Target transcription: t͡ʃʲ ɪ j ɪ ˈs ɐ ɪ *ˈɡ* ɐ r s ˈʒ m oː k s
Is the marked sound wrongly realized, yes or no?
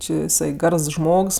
no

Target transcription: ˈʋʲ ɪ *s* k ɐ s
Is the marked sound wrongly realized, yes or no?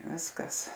no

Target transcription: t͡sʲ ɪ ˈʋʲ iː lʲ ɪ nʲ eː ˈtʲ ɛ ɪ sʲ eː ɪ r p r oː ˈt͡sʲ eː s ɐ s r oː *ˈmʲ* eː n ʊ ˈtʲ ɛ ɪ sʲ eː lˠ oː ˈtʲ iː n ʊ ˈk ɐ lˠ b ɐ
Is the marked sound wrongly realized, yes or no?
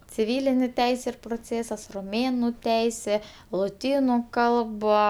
no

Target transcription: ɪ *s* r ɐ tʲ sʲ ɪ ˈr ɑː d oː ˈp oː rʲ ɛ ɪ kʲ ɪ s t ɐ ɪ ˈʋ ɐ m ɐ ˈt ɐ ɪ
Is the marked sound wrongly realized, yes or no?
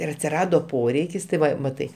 yes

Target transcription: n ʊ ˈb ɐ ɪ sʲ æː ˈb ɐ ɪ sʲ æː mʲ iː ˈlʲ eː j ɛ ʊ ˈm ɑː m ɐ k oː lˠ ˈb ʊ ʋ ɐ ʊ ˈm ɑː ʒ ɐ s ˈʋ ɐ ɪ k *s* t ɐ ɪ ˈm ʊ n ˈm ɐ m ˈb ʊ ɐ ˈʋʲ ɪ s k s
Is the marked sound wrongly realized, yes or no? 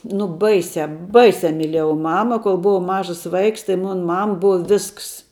no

